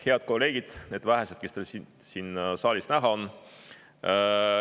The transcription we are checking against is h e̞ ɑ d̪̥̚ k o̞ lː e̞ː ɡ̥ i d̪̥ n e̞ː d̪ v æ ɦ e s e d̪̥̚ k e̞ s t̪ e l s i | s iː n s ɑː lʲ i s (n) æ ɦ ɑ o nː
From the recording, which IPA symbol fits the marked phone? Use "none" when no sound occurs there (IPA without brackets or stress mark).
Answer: n